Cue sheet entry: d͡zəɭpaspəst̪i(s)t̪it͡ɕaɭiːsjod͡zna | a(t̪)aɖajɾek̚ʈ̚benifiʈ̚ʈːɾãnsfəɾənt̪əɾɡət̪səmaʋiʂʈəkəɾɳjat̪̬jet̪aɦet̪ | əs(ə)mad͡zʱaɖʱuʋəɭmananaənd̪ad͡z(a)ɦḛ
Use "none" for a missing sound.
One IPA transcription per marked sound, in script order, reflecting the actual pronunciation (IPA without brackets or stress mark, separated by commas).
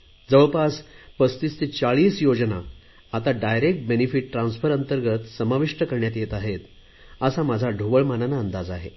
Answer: s, t̪, a, a